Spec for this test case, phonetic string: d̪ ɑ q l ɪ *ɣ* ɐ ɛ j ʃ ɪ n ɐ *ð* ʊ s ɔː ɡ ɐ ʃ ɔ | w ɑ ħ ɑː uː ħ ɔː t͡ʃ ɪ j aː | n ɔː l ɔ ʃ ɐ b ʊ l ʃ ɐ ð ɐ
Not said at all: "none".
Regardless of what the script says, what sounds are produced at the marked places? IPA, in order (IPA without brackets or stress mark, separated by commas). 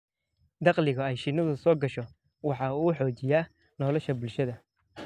ɣ, ð